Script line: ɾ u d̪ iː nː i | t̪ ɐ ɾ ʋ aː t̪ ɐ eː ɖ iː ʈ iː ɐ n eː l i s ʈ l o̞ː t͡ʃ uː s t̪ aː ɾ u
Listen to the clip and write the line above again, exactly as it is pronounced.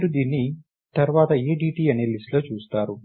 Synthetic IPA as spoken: ɾ u d̪ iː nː i | t̪ ɐ ɾ ʋ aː t̪ ɐ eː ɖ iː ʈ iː ɐ n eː l i s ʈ l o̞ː t͡ʃ uː s t̪ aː ɾ u